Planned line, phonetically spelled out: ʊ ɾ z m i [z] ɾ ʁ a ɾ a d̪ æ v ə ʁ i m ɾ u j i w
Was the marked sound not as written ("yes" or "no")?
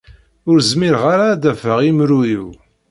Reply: yes